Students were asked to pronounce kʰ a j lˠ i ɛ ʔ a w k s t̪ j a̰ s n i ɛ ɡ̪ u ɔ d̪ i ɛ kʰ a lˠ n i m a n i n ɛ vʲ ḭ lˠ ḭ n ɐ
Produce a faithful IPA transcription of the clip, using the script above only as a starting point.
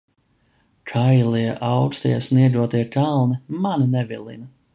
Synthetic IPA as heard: kʰ a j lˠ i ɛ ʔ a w k s t̪ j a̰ s n i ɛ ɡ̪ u ɔ t̪ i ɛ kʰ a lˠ n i m a n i n ɛ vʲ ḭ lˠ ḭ n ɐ